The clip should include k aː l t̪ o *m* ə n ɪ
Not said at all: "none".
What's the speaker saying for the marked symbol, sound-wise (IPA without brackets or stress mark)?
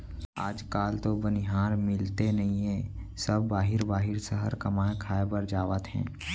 b